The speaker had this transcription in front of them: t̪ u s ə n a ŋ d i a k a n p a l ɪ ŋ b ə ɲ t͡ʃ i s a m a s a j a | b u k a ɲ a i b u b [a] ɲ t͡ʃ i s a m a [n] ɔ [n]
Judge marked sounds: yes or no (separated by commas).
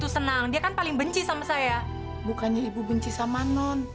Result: no, yes, yes